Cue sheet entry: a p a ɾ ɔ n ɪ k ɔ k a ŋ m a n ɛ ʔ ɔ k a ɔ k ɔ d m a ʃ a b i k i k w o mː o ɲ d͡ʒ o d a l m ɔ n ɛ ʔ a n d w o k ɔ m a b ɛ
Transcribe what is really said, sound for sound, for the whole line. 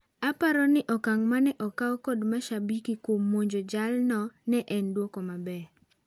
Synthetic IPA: a p a ɾ ɔ n ɪ ʔ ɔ k a ŋ m a n ɛ ʔ ɔ k a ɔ k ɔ d m a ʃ a b i k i k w o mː o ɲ d͡ʒ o d͡ʒ a l n ɔ n ɛ ʔ ɛ n d w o k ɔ m a b ɛ